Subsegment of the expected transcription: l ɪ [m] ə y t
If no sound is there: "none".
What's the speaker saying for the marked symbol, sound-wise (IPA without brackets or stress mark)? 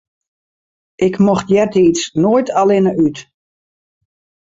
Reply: n